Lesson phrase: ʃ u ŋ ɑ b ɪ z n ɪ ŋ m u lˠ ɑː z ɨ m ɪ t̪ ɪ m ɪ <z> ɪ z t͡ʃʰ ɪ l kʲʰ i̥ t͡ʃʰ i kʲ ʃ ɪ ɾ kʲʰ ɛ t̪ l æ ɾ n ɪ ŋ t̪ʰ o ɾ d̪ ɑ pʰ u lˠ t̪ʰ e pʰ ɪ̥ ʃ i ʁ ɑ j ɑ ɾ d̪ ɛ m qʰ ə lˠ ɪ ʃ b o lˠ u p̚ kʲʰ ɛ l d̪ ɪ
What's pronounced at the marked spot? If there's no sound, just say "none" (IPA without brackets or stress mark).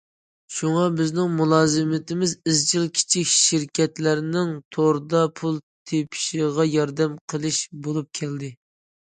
z